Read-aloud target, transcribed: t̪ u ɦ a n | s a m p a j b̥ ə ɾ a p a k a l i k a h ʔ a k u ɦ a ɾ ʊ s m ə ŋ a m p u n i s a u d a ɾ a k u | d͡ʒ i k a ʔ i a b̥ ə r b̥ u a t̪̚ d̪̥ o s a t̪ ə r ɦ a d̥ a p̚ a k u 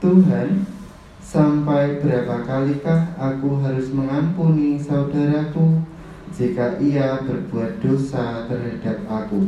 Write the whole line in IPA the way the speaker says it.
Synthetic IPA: t̪ u ɦ a n | s a m p a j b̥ ə ɾ a p a k a l i k a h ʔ a k u ɦ a ɾ ʊ s m ə ŋ a m p u n i s a u d a ɾ a k u | d͡ʒ i k a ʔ i a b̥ ə r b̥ u a t̪̚ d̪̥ o s a t̪ ə r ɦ a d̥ a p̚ a k u